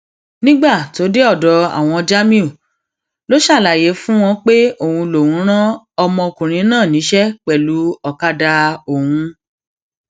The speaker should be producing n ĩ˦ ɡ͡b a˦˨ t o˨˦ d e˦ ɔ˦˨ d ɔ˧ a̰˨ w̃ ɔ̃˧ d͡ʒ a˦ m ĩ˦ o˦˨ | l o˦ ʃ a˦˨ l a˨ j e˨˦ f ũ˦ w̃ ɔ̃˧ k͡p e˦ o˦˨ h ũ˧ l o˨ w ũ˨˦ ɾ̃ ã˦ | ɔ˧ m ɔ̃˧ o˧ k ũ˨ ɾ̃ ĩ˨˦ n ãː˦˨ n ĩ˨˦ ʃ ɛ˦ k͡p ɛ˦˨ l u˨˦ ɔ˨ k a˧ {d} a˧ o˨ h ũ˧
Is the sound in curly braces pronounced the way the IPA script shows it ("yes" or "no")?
yes